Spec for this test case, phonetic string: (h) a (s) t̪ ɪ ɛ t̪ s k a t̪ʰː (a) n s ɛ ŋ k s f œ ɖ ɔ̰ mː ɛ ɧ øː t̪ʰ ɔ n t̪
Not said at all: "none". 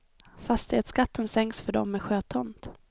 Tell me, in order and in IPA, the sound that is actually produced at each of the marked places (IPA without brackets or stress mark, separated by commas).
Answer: f, s, ə